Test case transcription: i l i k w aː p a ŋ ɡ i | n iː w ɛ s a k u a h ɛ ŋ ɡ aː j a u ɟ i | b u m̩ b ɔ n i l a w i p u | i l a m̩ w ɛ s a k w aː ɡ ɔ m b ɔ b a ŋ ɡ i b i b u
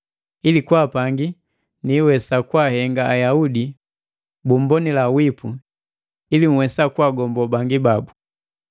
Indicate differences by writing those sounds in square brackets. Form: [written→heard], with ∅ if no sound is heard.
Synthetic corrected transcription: i l i k w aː p a ŋ ɡ i | n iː w ɛ s a k [u→w] a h ɛ ŋ ɡ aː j a u [ɟ→d] i | b u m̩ b ɔ n i l a w i p u | i l [a→i] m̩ w ɛ s a k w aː ɡ ɔ m b ɔ b a ŋ ɡ i b [i→a] b u